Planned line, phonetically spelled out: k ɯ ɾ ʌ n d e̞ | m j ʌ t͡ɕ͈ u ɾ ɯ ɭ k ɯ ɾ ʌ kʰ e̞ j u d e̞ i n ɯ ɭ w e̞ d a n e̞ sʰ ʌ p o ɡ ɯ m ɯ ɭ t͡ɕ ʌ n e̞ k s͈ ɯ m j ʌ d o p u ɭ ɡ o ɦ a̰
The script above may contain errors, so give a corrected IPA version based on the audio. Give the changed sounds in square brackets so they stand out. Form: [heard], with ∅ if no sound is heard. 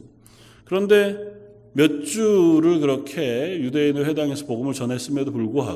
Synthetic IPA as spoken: k ɯ ɾ ʌ n d e̞ | m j ʌ t͡ɕ͈ u ɾ ɯ ɭ k ɯ ɾ ʌ kʰ e̞ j u d e̞ i n ɯ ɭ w e̞ d a [ŋ] e̞ sʰ ʌ p o ɡ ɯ m ɯ ɭ t͡ɕ ʌ n e̞ [∅] s͈ ɯ m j ʌ d o p u ɭ ɡ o ɦ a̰